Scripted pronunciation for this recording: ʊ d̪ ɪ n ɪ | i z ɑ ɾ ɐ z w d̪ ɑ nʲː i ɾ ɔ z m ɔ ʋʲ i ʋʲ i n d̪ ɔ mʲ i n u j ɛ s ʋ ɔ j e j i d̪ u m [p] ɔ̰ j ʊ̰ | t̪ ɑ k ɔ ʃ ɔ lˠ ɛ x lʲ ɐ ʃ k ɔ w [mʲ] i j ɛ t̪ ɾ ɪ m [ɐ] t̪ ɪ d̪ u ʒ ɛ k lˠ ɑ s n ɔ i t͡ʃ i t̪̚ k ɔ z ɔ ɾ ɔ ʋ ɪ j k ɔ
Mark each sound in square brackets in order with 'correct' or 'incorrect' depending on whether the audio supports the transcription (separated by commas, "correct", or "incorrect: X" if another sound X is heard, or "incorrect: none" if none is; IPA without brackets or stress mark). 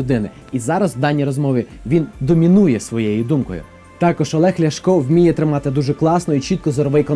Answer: incorrect: k, correct, incorrect: ɑ